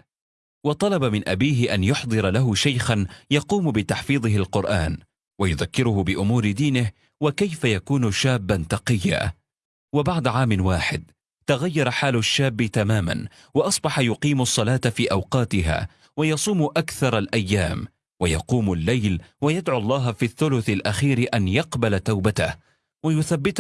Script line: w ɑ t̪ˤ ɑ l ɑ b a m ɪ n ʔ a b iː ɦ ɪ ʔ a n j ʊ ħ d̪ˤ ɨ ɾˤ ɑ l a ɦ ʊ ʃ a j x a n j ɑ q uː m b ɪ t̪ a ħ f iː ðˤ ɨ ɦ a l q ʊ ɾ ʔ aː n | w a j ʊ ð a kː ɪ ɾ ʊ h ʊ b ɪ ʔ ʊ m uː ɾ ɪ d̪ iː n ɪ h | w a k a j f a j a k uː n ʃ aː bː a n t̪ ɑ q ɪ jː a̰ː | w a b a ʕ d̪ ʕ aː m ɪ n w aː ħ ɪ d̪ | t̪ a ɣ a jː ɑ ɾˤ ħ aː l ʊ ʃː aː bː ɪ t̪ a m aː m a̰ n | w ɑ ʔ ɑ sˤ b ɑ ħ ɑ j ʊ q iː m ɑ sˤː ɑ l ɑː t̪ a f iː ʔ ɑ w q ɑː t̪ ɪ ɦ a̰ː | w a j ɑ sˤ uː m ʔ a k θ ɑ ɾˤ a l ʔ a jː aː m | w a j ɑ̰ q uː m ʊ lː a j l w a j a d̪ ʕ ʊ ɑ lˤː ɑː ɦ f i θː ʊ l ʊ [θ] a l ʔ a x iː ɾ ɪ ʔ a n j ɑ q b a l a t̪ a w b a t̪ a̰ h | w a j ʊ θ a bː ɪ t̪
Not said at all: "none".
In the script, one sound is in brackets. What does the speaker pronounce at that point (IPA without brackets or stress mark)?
θ